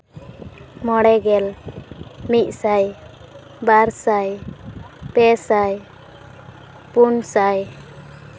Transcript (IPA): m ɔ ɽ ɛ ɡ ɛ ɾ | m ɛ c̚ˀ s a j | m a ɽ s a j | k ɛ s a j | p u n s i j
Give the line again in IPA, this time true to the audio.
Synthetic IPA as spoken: m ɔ ɽ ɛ ɡ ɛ l | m i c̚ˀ s a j | b a ɾ s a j | p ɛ s a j | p u n s a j